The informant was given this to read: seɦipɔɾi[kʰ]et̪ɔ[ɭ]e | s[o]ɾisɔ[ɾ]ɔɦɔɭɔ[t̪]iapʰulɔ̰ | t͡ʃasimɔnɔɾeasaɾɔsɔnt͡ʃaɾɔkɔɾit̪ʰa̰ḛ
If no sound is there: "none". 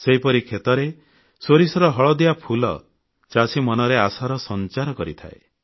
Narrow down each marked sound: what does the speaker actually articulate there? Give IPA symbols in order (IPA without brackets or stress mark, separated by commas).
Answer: kʰ, ɾ, o, ɾ, d̪